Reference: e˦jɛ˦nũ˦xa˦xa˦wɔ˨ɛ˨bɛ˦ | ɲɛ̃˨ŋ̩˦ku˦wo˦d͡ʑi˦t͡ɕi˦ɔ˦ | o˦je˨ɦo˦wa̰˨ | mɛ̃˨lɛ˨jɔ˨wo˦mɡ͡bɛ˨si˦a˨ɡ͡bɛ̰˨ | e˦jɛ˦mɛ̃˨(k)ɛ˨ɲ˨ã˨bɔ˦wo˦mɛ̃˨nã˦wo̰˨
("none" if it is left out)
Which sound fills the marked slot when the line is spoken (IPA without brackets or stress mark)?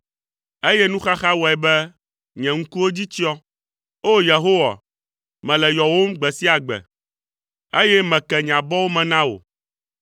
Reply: k